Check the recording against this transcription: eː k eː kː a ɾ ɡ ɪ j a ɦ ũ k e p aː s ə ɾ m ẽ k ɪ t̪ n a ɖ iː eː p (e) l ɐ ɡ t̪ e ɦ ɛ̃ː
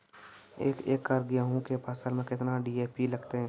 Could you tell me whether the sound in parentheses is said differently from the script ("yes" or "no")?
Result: yes